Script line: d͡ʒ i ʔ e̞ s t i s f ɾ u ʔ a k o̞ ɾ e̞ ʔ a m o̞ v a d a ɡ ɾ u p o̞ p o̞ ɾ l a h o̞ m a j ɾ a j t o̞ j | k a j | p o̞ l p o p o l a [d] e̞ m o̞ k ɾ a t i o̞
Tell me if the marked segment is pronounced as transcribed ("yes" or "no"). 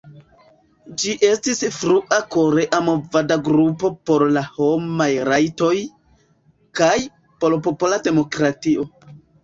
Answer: yes